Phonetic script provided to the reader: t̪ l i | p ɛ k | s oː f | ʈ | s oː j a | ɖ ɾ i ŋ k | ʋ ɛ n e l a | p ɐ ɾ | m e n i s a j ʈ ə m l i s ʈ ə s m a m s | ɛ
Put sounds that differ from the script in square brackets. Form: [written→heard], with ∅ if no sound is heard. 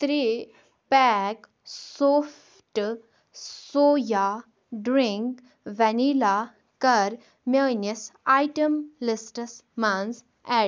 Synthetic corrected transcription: t̪ [l→ɾ] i | p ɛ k | s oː f | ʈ | s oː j a | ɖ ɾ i ŋ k | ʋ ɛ n [e→i] l a | [p→k] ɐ ɾ | m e n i s a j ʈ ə m l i s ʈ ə s m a [m→n] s | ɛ